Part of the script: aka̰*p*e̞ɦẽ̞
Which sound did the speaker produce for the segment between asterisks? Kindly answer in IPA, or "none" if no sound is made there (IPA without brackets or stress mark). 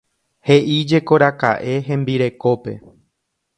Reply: ʔ